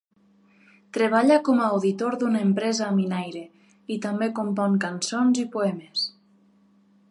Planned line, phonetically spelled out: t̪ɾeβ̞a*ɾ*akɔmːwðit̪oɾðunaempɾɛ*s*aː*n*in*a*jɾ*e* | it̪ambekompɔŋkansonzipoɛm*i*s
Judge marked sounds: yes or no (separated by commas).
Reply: no, no, no, yes, yes, no